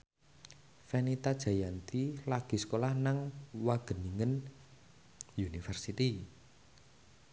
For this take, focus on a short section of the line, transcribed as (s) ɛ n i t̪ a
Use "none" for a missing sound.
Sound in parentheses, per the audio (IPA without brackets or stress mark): f